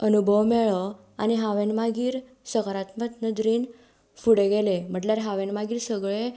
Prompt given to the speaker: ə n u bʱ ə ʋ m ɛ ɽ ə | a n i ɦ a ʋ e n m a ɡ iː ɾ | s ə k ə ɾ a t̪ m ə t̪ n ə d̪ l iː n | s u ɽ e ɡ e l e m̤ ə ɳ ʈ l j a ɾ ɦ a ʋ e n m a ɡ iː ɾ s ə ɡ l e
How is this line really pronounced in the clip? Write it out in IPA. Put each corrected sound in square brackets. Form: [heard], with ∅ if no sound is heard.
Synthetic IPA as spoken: ə n u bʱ ə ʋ m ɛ [ɭ] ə | a n i ɦ a ʋ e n m a ɡ iː ɾ | s ə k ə ɾ a t̪ m ə t̪ n ə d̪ [ɾ] iː n | [f] u ɽ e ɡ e l e m̤ ə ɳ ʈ l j a ɾ ɦ a ʋ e n m a ɡ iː ɾ s ə ɡ [ɭ] e